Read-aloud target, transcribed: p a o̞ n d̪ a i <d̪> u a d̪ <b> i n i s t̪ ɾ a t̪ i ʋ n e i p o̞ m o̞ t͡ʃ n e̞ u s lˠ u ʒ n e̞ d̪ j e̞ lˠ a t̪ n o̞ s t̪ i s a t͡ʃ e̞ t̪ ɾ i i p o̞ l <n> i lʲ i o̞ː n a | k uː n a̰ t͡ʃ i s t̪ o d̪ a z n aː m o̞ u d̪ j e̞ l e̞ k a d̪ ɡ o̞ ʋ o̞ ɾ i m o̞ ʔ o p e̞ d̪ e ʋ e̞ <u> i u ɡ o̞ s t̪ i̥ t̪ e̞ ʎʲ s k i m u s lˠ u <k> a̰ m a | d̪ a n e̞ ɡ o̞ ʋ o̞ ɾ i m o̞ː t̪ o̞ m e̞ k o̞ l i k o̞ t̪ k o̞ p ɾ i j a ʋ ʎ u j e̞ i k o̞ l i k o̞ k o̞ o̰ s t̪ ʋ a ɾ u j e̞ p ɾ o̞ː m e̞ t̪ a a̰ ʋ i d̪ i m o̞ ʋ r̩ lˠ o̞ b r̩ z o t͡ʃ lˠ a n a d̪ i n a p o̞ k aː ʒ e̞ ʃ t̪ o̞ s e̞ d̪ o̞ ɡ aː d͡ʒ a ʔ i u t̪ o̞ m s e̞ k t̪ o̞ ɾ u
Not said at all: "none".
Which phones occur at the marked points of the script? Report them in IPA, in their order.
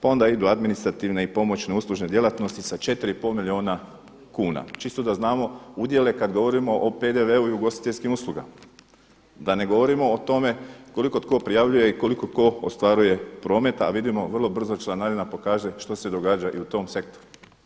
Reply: d̪, m, m, u, ɡ

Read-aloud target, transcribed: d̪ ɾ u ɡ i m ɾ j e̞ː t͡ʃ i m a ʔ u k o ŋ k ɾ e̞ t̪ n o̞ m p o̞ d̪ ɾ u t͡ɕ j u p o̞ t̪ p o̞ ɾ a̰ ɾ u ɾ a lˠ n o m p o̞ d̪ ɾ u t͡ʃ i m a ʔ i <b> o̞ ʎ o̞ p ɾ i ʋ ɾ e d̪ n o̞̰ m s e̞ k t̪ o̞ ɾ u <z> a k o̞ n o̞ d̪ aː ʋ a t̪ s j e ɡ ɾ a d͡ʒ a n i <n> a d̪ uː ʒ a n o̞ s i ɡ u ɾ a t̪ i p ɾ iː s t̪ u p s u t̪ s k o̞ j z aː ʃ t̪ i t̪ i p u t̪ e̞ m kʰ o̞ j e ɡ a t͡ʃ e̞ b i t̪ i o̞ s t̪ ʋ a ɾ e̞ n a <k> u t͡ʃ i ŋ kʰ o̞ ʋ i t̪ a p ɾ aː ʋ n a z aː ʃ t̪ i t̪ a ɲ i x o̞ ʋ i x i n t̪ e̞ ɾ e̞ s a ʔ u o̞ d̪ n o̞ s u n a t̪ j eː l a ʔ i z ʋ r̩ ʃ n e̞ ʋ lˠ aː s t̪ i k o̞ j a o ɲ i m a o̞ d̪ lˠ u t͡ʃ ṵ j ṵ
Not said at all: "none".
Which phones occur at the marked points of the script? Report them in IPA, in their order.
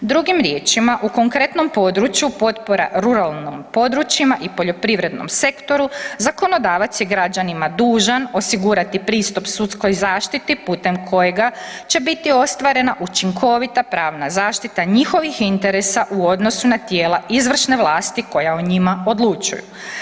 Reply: p, z, m, ʔ

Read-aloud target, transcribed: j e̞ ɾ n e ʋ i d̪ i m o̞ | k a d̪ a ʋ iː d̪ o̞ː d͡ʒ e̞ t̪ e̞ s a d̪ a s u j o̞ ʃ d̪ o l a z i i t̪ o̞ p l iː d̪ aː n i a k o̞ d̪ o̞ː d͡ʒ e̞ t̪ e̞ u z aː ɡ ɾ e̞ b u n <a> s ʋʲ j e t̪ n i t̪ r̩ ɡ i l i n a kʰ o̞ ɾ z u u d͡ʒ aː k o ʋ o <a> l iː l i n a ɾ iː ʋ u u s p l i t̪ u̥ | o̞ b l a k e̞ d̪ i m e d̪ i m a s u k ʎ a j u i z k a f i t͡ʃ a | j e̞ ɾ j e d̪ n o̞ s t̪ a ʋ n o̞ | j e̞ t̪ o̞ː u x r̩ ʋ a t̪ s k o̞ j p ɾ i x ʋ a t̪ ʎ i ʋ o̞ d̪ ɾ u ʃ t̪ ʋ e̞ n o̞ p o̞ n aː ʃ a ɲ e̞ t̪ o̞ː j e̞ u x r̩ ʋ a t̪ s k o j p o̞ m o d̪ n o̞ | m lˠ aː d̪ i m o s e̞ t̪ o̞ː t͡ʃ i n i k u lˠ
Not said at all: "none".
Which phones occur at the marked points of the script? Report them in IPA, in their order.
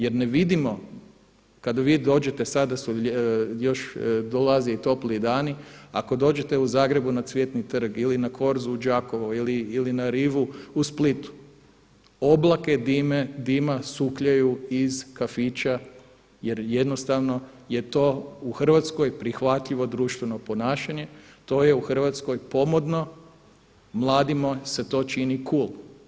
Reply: a, i

